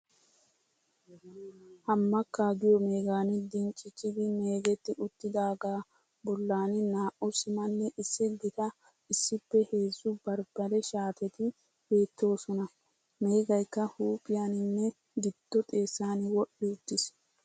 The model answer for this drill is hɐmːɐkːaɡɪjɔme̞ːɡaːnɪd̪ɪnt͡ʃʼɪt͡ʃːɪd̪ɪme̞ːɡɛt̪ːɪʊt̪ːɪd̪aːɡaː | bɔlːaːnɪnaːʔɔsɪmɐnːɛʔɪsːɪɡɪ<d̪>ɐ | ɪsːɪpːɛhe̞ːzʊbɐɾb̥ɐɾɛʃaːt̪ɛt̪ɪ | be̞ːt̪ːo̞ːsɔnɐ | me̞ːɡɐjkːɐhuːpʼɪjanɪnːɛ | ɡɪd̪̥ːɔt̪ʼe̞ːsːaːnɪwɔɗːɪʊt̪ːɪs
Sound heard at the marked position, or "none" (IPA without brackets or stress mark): t̪